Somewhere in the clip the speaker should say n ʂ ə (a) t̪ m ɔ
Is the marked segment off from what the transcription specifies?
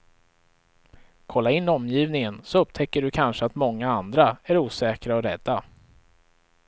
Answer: no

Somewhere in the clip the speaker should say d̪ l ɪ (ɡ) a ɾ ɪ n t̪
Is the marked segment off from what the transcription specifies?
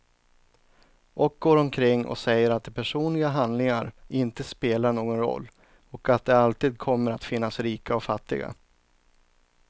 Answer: yes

